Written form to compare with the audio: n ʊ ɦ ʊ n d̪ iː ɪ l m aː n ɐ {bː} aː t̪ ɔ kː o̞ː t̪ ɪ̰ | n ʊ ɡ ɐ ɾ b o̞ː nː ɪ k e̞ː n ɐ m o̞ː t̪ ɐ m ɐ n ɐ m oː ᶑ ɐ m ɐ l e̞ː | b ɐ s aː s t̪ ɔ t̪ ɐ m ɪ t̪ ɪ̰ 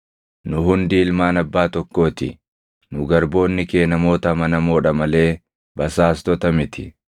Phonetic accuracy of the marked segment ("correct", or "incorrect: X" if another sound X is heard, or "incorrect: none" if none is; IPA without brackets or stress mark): correct